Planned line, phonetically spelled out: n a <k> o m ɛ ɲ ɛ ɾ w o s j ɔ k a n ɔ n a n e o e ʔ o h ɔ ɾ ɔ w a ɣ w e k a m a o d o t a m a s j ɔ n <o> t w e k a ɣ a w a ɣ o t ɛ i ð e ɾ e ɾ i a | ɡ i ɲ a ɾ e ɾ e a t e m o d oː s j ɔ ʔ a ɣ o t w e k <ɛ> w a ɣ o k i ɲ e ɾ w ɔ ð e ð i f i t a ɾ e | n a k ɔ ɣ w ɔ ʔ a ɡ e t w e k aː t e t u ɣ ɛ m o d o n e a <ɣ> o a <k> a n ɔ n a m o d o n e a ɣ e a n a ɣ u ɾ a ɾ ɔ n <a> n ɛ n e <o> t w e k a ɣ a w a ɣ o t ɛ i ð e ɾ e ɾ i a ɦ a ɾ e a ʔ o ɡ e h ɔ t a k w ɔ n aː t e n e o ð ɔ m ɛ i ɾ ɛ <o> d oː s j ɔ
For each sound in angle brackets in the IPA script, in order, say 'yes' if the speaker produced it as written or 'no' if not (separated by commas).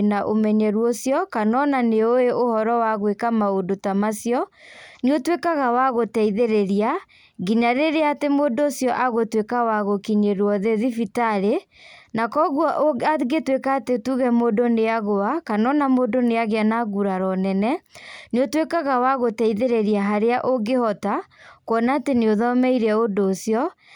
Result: no, yes, no, yes, yes, no, yes, yes